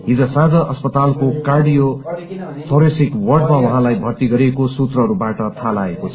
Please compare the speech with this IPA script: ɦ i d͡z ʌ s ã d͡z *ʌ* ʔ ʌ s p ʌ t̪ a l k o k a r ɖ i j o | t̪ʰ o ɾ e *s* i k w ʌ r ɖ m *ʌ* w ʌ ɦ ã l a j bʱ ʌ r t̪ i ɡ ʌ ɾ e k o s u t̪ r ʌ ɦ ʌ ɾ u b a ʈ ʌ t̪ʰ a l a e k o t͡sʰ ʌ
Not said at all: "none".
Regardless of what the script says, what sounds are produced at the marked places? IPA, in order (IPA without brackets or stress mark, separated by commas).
ʌ, s, a